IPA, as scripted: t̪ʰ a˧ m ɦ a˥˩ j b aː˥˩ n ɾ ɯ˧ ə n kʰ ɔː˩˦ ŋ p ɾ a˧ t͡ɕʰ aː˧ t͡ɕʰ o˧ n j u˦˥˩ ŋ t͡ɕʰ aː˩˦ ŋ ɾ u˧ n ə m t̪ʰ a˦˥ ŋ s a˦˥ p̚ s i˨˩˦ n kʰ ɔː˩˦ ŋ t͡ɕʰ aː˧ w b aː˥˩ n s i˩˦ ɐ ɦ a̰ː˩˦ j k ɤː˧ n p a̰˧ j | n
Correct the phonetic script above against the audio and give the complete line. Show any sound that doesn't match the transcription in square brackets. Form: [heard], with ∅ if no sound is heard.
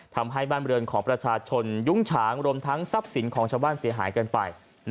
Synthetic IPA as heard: t̪ʰ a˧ m ɦ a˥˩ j b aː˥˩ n ɾ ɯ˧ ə n kʰ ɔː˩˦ ŋ p ɾ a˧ t͡ɕʰ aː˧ t͡ɕʰ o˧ n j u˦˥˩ ŋ t͡ɕʰ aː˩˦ ŋ ɾ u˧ [∅] ə m t̪ʰ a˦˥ ŋ s a˦˥ p̚ s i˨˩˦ n kʰ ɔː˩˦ ŋ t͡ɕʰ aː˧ w b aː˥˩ n s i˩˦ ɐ ɦ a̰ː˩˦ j k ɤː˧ n p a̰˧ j | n